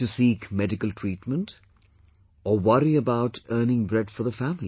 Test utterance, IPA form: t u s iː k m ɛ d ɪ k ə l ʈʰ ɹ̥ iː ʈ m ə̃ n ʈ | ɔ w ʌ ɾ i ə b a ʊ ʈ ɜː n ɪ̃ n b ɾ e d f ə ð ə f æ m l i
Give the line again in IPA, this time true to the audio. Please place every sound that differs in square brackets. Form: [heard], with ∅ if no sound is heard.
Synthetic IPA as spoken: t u s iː k m ɛ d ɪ k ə l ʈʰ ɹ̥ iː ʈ m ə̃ n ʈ | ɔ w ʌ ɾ i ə b a ʊ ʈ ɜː n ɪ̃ [ŋ] b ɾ [ɛ] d f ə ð ə f æ m l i